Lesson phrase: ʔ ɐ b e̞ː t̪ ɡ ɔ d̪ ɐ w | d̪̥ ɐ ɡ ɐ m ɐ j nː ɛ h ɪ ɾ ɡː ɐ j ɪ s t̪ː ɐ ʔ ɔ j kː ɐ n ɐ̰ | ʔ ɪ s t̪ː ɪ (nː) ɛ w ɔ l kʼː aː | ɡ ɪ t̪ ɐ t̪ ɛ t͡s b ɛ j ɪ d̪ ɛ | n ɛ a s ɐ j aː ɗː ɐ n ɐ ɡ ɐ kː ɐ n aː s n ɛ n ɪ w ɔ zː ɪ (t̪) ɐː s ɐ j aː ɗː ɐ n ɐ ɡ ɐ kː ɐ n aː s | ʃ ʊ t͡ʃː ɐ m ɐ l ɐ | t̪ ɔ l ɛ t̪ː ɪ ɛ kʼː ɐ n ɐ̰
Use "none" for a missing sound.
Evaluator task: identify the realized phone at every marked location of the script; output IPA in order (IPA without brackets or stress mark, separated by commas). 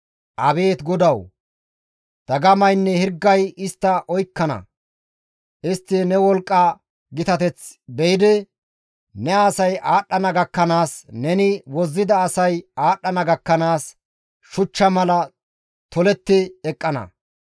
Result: n, d̪